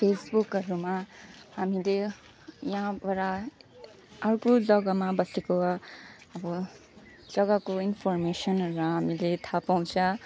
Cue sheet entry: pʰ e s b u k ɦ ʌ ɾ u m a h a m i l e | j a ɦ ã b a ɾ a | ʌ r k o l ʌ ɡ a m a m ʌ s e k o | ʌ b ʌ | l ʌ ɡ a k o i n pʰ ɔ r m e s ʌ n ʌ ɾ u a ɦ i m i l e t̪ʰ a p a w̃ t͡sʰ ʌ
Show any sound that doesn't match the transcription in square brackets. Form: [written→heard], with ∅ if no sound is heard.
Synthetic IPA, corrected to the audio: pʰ e s b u k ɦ ʌ ɾ u m a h a m i l e | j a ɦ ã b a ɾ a | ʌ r k o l ʌ ɡ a m a [m→b] ʌ s e k o | ʌ b ʌ | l ʌ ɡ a k o i n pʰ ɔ r m e s ʌ n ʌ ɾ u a ɦ [i→a] m i l e t̪ʰ a p a w̃ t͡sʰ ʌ